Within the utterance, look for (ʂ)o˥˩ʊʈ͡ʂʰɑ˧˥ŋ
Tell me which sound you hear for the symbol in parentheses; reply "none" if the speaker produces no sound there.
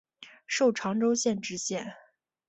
ʂ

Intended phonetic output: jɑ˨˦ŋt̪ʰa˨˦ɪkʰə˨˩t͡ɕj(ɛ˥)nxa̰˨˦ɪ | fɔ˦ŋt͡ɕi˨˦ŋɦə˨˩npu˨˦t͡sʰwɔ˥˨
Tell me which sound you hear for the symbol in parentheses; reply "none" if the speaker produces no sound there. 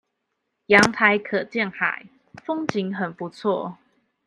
ɛ˥˨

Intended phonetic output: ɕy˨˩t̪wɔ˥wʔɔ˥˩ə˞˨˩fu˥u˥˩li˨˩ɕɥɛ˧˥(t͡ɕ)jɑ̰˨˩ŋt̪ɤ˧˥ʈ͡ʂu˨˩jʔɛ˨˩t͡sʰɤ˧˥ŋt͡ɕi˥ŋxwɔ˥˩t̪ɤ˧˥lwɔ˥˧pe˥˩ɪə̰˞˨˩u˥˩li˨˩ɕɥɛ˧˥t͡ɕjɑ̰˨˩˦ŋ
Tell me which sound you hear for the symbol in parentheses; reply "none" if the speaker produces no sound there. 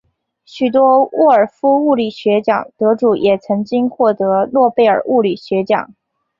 t͡ɕ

